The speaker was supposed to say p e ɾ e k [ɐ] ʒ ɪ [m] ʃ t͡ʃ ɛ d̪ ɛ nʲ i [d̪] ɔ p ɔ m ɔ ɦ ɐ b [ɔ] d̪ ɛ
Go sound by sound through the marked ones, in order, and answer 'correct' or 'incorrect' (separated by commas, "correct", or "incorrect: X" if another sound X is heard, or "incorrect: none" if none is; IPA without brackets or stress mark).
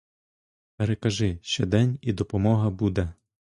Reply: correct, incorrect: none, correct, incorrect: u